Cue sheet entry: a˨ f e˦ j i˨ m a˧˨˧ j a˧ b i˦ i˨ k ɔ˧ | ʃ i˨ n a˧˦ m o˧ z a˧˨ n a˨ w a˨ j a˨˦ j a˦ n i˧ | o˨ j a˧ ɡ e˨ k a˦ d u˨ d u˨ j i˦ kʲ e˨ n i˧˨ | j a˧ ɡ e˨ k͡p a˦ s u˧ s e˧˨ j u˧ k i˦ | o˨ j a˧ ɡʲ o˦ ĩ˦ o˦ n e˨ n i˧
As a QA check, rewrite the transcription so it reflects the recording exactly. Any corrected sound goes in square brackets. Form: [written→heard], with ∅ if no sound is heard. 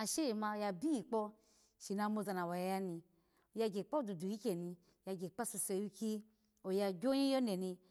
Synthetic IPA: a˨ [f→ʃ] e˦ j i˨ m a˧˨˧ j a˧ b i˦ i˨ [k→k͡p] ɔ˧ | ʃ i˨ n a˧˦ m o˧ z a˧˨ n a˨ w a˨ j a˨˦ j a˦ n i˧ | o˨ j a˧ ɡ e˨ [k→k͡p] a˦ d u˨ d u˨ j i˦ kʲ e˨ n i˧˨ | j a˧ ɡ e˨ k͡p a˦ s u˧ s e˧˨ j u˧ k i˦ | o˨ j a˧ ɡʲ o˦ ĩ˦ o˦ n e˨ n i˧